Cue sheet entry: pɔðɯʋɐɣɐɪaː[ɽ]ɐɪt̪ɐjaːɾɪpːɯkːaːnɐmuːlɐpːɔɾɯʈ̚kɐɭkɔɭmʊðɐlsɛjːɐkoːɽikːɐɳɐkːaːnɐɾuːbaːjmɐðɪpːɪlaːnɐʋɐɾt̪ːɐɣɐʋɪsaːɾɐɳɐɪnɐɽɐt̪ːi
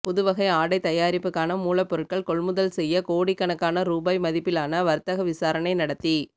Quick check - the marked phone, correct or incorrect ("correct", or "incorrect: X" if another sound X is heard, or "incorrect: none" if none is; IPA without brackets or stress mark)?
correct